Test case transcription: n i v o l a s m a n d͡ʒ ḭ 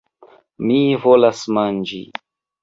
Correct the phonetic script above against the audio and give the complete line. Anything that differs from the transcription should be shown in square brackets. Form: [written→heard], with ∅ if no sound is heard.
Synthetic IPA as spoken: [n→m] i v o l a s m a n d͡ʒ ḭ